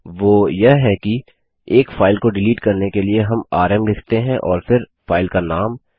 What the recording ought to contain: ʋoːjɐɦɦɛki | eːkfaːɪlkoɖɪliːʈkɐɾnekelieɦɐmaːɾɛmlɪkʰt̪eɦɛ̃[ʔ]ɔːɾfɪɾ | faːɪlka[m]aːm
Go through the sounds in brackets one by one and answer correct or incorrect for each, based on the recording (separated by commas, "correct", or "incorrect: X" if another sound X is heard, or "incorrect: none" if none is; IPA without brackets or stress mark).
correct, incorrect: n